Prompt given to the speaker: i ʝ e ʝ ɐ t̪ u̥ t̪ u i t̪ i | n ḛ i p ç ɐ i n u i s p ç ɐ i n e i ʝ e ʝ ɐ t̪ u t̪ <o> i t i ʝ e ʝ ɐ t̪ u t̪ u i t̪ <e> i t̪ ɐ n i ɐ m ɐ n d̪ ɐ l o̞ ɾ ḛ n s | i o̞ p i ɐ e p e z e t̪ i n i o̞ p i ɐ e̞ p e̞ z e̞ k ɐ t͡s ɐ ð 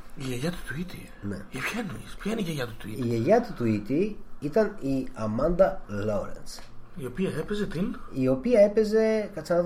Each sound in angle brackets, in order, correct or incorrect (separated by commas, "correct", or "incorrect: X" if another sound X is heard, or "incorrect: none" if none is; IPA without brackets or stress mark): incorrect: u, incorrect: i